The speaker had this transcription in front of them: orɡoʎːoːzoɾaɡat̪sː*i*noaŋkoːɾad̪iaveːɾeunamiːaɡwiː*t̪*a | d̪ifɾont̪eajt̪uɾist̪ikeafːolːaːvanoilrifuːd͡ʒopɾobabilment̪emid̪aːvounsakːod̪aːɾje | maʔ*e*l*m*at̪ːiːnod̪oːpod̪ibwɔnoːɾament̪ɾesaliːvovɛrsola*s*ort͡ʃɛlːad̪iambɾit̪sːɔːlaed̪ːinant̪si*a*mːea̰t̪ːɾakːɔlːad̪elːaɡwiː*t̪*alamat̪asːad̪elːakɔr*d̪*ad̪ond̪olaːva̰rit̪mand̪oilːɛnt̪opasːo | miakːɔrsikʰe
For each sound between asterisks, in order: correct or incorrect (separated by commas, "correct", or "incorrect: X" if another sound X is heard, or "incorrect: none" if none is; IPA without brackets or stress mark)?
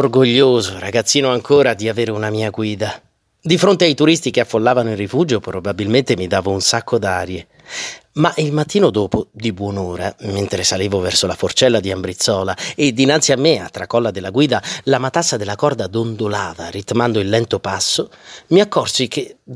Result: incorrect: iː, incorrect: d̪, incorrect: i, correct, incorrect: f, correct, incorrect: d̪, correct